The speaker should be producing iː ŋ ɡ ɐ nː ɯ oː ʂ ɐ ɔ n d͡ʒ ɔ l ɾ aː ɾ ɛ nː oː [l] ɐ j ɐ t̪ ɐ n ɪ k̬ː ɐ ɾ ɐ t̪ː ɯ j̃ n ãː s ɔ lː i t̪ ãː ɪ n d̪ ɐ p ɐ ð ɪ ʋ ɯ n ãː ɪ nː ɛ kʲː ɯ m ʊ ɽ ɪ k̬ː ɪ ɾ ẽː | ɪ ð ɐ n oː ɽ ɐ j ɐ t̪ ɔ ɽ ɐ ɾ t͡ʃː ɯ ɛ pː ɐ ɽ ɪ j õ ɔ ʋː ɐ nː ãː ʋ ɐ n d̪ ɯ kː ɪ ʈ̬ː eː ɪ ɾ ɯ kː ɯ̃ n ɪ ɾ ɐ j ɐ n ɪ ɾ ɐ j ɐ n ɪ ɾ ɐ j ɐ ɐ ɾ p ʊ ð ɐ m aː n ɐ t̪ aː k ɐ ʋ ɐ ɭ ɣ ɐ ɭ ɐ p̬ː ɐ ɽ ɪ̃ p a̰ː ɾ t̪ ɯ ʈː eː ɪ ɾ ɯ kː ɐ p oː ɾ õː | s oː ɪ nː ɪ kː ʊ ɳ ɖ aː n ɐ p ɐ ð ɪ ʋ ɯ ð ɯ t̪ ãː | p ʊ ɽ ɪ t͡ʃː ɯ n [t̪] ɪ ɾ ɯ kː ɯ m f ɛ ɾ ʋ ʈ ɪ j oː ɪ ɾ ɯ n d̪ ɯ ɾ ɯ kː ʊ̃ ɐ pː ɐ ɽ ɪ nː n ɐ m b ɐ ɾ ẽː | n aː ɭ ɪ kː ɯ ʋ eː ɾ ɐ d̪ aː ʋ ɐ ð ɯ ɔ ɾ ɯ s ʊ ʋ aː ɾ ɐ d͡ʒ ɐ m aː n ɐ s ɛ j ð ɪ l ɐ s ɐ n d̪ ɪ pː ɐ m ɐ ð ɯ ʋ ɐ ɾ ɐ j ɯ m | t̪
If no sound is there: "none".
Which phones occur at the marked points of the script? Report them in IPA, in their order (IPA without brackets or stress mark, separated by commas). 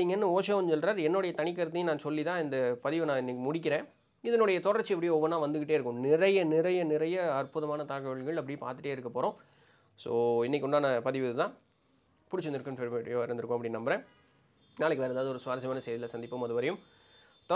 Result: ɽ, d̪